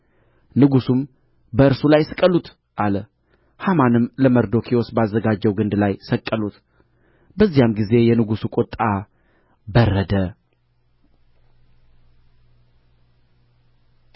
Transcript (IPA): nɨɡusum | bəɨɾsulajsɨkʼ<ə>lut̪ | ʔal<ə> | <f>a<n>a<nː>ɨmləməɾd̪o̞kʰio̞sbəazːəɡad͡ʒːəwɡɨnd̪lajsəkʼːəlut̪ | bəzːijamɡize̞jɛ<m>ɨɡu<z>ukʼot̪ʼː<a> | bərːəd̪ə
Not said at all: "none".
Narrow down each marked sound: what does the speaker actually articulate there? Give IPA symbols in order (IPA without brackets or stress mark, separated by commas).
ə, ə, h, m, n, n, s, a